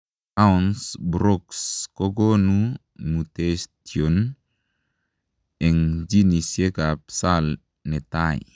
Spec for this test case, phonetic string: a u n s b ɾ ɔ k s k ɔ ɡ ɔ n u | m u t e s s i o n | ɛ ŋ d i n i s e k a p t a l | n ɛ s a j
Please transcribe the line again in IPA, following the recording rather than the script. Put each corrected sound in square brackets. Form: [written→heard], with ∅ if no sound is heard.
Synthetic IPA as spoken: a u n s b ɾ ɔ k s k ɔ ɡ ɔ n u | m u t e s [s→t] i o n | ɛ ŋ [d→d͡ʒ] i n i s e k a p [t→s] a l | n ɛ [s→t] a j